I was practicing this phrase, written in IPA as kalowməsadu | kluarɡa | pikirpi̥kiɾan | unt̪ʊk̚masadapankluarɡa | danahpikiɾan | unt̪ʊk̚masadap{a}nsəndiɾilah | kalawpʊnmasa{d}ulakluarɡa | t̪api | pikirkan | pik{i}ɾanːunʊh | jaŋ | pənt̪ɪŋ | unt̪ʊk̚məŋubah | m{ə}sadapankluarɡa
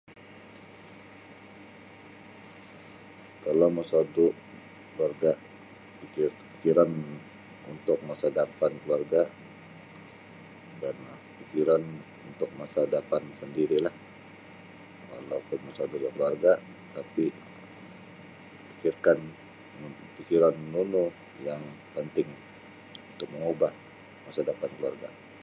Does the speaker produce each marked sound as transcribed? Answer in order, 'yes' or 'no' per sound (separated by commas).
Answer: yes, yes, yes, no